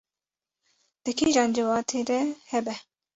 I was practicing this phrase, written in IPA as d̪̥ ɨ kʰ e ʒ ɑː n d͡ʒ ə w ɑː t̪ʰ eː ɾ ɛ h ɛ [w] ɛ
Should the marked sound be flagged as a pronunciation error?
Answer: yes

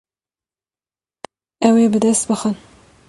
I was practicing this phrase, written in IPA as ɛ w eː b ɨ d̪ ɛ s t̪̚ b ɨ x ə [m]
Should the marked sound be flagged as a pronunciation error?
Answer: yes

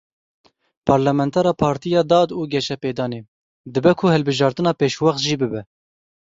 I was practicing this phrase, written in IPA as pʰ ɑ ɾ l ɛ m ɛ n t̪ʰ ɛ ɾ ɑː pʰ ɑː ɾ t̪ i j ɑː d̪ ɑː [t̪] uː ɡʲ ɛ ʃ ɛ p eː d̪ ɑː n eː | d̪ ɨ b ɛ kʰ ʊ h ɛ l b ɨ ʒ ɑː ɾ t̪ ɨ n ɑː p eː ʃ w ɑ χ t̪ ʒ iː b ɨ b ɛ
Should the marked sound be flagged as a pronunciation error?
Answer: yes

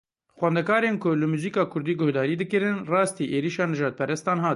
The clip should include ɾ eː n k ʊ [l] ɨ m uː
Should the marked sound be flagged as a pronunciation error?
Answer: no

